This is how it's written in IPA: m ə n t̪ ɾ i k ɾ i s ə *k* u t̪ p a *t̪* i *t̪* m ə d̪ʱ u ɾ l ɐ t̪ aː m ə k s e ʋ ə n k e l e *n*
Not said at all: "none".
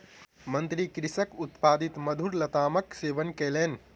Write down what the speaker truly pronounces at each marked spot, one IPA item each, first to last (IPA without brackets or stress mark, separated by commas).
k, d̪, t̪, n